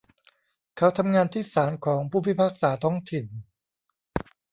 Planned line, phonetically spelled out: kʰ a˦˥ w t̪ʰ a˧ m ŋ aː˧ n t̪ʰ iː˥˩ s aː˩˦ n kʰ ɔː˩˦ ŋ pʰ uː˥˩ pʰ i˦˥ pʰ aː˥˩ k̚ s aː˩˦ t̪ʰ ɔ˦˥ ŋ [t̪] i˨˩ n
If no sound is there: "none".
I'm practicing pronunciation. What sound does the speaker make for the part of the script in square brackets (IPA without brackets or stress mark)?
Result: t̪ʰ